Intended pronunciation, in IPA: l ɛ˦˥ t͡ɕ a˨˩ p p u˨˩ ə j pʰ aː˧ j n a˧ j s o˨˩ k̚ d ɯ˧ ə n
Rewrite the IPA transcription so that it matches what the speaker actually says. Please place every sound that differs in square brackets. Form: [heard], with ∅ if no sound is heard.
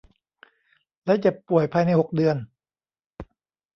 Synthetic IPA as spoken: l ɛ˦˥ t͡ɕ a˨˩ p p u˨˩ ə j pʰ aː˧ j n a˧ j [h] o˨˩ k̚ d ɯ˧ ə n